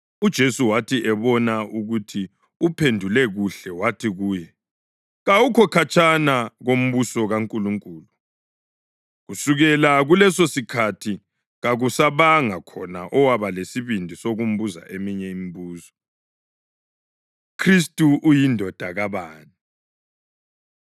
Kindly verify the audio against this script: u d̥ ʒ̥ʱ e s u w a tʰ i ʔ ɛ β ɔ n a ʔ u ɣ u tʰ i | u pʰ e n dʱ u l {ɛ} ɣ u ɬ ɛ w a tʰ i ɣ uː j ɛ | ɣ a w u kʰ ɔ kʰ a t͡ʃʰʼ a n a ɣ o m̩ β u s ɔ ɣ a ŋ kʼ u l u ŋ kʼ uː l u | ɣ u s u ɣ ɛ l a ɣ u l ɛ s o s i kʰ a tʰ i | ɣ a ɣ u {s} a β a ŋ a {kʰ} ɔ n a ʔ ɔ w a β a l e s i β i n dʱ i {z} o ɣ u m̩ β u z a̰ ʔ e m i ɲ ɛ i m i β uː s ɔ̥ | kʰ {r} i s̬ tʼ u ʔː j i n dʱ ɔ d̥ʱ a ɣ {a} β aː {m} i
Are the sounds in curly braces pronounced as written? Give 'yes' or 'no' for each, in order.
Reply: yes, yes, yes, no, yes, yes, no

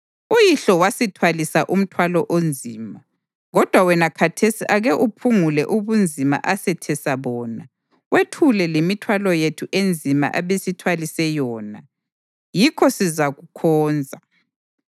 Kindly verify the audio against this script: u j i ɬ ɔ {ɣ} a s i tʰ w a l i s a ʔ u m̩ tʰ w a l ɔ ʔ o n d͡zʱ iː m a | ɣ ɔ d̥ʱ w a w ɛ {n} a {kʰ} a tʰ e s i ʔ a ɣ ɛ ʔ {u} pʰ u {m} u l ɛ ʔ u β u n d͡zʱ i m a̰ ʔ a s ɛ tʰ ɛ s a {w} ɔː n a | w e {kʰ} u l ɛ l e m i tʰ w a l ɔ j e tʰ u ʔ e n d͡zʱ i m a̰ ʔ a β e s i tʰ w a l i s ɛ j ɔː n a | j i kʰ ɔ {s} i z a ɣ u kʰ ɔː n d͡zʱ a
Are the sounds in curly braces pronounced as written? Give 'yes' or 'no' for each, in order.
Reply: no, yes, yes, yes, no, no, no, yes

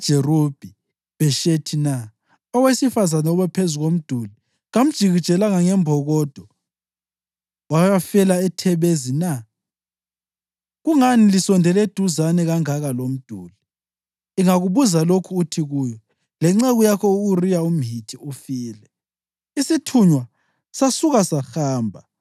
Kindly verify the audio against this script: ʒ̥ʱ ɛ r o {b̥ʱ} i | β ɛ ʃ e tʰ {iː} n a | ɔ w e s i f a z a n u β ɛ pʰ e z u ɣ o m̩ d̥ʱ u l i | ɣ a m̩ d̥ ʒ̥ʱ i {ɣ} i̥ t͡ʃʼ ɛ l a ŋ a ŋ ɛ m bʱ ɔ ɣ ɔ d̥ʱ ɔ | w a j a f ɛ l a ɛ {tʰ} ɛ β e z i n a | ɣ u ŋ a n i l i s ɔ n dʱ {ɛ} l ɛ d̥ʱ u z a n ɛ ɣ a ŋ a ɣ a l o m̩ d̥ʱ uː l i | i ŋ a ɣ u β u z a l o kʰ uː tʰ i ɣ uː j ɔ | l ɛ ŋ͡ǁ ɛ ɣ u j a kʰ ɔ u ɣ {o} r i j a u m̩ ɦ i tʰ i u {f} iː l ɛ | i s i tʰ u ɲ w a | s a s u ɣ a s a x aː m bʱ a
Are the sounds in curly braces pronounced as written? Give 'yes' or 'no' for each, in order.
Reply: yes, no, yes, yes, yes, no, yes

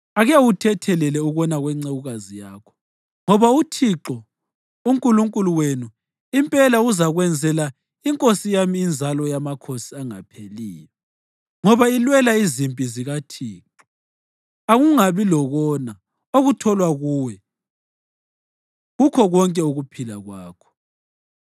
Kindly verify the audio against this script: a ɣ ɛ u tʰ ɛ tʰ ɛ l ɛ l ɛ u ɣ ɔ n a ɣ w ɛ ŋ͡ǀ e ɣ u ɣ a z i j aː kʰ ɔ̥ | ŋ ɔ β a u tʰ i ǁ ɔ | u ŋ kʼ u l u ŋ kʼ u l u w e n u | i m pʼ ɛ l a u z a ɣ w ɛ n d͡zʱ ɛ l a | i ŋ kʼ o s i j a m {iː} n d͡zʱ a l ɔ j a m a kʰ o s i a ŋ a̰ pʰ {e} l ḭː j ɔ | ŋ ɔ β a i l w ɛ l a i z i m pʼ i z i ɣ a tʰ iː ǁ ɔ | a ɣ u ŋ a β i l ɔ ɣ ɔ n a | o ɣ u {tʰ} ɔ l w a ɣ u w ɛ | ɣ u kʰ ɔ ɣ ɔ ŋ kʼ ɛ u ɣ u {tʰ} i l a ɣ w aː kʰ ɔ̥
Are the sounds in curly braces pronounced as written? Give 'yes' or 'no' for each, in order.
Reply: yes, yes, yes, no

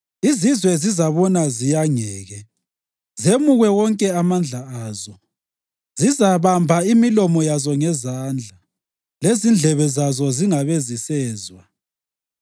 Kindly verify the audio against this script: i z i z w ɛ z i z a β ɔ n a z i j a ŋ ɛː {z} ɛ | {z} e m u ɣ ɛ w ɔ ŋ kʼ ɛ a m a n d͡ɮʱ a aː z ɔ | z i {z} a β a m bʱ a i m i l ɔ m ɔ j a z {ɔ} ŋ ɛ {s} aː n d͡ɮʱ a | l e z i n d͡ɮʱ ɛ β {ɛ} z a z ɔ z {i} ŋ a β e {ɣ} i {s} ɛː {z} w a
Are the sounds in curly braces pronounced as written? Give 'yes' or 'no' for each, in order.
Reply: no, yes, yes, yes, no, yes, yes, no, yes, yes

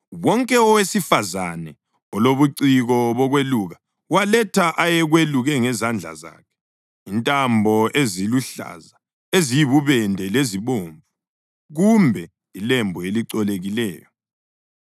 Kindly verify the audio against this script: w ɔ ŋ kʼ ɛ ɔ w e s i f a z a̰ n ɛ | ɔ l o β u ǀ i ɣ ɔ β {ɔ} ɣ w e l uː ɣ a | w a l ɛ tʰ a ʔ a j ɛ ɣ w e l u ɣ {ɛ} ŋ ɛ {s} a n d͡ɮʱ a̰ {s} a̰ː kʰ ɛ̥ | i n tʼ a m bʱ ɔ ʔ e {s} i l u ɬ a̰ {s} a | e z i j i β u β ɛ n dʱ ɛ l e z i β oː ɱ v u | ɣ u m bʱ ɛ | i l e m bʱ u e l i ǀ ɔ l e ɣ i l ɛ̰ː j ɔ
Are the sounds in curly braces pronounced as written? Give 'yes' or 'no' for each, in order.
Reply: yes, yes, no, no, no, no

